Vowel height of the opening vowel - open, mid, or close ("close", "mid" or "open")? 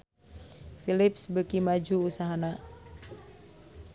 close